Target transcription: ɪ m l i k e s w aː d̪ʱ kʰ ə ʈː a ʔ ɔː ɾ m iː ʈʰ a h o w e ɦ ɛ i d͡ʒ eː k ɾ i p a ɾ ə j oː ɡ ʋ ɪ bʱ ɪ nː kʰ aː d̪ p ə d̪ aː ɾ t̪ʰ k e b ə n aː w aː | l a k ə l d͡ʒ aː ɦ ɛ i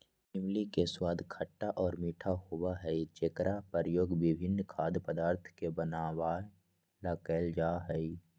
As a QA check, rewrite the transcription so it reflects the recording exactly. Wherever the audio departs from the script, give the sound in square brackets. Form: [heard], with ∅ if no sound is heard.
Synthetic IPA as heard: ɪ m l i k e s w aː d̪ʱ kʰ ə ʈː a ʔ ɔː ɾ m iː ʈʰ a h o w [a] ɦ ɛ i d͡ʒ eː k ɾ [a] p [ə] ɾ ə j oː ɡ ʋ ɪ bʱ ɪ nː kʰ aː d̪ p ə d̪ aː ɾ t̪ʰ k e b ə n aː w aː | l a k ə l d͡ʒ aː ɦ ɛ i